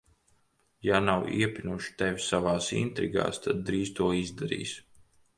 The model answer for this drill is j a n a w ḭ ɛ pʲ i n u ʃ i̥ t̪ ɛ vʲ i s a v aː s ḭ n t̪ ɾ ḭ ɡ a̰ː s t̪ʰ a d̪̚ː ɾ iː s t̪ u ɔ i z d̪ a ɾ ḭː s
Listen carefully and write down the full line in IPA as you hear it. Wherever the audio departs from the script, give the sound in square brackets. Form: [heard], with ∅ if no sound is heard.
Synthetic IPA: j a n a w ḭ ɛ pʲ i n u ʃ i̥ t̪ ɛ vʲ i s a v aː s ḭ n t̪ ɾ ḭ ɡ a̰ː s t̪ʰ a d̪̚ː ɾ iː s t̪ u ɔ i z d̪ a ɾ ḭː s